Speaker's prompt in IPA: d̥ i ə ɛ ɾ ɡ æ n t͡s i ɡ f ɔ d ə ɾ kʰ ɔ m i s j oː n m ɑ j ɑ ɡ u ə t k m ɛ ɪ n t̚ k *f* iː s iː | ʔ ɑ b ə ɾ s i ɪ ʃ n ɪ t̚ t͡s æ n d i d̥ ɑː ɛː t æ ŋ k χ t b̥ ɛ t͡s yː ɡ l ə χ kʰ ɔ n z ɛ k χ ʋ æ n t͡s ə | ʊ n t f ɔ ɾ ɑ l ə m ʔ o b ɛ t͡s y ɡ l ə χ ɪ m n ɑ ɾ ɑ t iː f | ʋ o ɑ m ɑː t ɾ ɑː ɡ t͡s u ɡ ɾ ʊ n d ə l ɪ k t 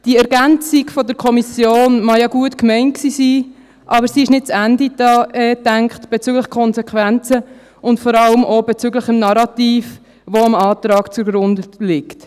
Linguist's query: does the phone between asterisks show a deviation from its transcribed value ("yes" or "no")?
yes